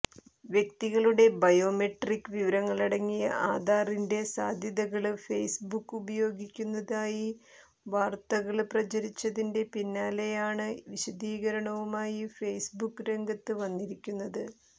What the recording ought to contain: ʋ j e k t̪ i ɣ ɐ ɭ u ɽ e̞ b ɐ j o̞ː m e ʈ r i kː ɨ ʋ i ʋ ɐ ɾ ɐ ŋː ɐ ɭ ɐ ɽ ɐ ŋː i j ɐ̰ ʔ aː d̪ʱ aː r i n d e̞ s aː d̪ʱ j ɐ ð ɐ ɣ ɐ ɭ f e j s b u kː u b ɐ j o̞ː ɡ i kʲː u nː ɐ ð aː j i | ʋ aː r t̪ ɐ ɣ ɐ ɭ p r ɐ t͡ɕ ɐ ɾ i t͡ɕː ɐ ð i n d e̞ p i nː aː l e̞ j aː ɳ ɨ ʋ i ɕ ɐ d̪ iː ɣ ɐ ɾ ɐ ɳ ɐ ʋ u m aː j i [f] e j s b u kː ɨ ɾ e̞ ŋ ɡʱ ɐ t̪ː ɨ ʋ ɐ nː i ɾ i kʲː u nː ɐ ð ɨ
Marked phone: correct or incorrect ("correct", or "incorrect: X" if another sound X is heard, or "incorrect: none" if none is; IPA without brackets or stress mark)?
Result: correct